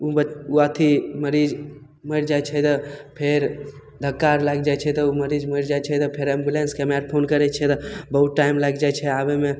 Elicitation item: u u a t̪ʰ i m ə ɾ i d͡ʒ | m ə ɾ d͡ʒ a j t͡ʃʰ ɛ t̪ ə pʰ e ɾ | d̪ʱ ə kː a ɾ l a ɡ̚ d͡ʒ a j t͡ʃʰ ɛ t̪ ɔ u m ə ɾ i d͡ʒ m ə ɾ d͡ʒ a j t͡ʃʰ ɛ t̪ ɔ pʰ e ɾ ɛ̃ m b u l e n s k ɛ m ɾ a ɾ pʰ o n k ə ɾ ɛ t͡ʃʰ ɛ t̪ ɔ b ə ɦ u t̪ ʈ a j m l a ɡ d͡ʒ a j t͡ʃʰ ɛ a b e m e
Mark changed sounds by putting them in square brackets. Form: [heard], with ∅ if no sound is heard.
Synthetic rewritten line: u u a t̪ʰ i m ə ɾ i d͡ʒ | m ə ɾ d͡ʒ a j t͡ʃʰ ɛ t̪ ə pʰ e ɾ | d̪ʱ ə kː a ɾ l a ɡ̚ d͡ʒ a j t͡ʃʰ ɛ t̪ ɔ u m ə ɾ i d͡ʒ m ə ɾ d͡ʒ a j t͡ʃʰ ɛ t̪ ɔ pʰ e ɾ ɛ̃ m b u l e n s k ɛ m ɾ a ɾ pʰ o n k ə ɾ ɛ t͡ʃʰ ɛ t̪ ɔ b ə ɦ u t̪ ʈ a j m l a ɡ d͡ʒ a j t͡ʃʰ ɛ a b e m e